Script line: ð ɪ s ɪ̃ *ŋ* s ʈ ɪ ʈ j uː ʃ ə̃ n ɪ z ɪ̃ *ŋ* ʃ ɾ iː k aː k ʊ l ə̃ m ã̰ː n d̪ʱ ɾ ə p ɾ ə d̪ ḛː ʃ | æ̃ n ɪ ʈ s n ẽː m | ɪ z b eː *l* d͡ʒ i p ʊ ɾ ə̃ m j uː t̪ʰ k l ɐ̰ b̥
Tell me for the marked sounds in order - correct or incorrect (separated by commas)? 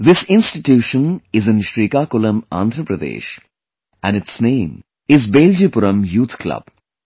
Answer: incorrect, incorrect, correct